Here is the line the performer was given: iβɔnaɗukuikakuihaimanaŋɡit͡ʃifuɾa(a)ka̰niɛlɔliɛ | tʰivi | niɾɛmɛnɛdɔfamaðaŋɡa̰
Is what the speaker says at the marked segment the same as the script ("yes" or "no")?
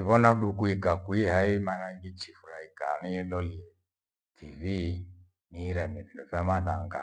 no